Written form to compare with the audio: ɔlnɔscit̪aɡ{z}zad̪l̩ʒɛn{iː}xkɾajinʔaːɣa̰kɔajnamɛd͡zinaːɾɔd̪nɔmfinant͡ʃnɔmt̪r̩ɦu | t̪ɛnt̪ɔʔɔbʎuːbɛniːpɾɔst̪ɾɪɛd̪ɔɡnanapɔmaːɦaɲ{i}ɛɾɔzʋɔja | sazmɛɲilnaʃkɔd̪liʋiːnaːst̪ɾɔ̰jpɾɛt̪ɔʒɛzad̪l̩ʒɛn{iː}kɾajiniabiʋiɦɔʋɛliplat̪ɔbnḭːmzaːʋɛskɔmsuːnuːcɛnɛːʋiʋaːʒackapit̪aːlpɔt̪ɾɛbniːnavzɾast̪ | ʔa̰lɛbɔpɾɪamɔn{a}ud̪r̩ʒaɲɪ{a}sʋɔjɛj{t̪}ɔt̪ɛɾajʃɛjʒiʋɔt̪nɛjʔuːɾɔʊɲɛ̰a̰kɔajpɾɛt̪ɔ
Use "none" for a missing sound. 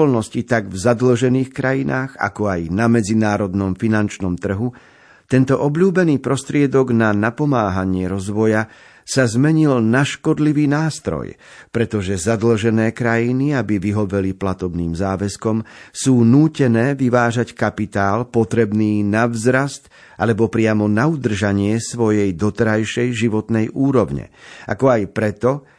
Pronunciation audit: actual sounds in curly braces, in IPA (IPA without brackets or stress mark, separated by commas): v, iː, ɪ, ɛː, a, ɛ, d̪